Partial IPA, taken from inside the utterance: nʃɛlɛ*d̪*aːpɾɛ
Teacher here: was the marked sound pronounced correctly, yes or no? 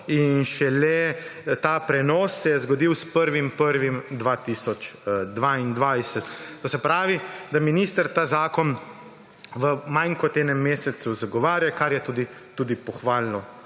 no